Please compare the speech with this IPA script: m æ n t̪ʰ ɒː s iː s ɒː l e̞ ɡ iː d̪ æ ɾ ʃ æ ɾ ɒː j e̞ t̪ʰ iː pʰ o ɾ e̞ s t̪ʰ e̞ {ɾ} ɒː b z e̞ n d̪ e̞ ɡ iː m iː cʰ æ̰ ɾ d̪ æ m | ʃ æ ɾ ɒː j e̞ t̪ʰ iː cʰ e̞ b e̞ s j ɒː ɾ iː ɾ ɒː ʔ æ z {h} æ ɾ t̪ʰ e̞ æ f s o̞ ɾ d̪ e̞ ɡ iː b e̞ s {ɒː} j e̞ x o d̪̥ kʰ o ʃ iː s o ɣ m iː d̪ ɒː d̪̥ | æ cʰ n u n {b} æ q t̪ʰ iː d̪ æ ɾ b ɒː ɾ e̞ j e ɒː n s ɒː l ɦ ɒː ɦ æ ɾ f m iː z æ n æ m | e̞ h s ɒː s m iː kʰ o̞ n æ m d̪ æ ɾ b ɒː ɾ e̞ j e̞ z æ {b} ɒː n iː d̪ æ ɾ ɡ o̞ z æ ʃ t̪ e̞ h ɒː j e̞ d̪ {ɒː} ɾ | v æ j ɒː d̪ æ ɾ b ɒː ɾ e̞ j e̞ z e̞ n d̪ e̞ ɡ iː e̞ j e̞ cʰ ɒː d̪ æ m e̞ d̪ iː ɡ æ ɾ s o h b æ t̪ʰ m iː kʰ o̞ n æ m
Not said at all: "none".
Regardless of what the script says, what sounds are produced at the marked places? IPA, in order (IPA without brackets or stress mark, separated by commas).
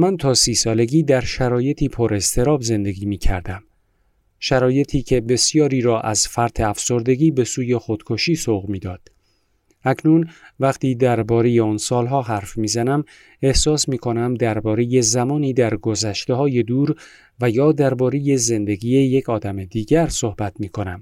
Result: ɾ, f, uː, v, m, uː